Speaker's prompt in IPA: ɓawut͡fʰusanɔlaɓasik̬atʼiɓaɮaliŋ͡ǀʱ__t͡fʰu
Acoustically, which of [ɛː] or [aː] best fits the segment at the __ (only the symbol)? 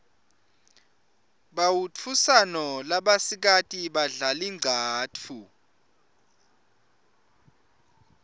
aː